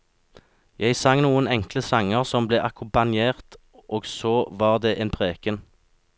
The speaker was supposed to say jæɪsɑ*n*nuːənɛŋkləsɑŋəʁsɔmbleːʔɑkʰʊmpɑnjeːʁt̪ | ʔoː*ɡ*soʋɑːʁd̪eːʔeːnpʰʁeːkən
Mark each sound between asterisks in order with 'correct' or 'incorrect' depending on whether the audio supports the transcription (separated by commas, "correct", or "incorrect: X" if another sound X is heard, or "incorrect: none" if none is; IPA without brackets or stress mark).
incorrect: ŋ, correct